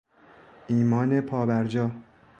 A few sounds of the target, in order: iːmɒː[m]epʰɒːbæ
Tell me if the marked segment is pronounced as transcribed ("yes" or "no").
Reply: no